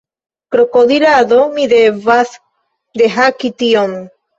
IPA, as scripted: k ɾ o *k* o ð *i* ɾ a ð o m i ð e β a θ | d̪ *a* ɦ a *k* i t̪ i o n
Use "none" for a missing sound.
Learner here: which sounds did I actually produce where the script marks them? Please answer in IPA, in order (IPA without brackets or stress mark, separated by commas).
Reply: k, i, e, k